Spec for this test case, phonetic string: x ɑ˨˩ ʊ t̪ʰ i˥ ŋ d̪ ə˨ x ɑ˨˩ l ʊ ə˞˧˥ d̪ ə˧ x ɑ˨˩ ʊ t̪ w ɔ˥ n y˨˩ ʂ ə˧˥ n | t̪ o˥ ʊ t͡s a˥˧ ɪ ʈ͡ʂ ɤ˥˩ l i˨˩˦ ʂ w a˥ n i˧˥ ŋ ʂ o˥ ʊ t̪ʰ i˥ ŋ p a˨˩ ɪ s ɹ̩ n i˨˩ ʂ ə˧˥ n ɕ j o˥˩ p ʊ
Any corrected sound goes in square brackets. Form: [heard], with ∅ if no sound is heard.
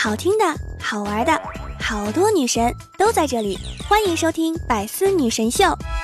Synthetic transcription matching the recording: x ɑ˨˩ ʊ t̪ʰ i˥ ŋ d̪ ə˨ x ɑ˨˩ [∅] ʊ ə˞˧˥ d̪ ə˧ x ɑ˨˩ ʊ t̪ w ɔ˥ n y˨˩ ʂ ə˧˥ n | t̪ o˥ ʊ t͡s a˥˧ ɪ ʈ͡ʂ ɤ˥˩ l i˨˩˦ [x] w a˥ n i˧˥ ŋ ʂ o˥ ʊ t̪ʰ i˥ ŋ p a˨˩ ɪ s ɹ̩ n [y˨˩] ʂ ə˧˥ n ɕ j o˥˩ [∅] ʊ